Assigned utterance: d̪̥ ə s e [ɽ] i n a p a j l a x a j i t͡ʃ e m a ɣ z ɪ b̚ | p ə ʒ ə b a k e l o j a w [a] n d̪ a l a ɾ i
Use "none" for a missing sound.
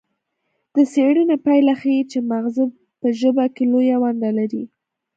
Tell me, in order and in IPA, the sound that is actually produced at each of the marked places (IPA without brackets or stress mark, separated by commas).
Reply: ɽ, a